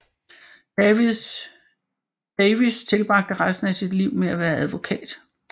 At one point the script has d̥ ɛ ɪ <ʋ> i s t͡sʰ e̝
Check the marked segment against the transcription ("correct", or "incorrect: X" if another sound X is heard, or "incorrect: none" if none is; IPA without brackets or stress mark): correct